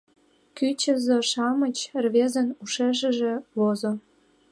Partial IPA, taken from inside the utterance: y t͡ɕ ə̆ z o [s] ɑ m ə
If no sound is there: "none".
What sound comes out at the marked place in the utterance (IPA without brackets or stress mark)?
ʃ